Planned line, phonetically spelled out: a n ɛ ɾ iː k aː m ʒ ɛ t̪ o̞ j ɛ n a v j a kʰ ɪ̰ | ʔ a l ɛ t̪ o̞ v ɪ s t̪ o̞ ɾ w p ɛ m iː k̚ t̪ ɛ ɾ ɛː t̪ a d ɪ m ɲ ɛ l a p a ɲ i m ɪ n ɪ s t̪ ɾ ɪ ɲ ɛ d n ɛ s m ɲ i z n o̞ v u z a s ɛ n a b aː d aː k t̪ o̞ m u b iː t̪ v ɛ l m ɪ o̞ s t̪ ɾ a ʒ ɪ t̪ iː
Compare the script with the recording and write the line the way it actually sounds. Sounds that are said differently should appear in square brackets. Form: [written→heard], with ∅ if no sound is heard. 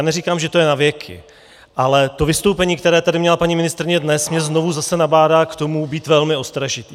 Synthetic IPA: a n ɛ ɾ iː k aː m ʒ ɛ t̪ o̞ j ɛ n a v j [a→ɛ] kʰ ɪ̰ | ʔ a l ɛ t̪ o̞ v ɪ s t̪ o̞ [ɾ→∅] w p ɛ [m→ɲ] iː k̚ t̪ ɛ ɾ ɛː t̪ a d ɪ m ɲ ɛ l a p a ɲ i m ɪ n ɪ s t̪ ɾ ɪ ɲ ɛ d n ɛ s m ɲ [i→ɛ] z n o̞ v u z a s ɛ n a b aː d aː k t̪ o̞ m u b iː t̪ v ɛ l m ɪ o̞ s t̪ ɾ a ʒ ɪ t̪ iː

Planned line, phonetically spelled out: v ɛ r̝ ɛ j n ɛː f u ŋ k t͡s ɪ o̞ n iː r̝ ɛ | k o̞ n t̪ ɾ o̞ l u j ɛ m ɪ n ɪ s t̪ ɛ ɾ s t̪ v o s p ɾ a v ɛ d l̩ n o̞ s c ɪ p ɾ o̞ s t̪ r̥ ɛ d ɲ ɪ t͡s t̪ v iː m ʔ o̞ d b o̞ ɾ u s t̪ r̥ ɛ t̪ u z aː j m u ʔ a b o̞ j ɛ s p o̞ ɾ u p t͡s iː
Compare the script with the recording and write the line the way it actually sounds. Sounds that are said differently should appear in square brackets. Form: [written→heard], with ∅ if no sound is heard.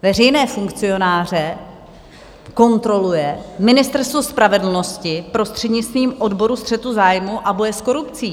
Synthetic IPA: v ɛ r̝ ɛ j n ɛː f u ŋ k t͡s ɪ o̞ n [iː→aː] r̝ ɛ | k o̞ n t̪ ɾ o̞ l u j ɛ m ɪ n ɪ s t̪ ɛ ɾ s t̪ v o s p ɾ a v ɛ d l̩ n o̞ s c ɪ p ɾ o̞ s t̪ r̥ ɛ d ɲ ɪ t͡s t̪ v iː m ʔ o̞ d b o̞ ɾ u s t̪ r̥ ɛ t̪ u z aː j m u ʔ a b o̞ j ɛ s [p→k] o̞ ɾ u p t͡s iː

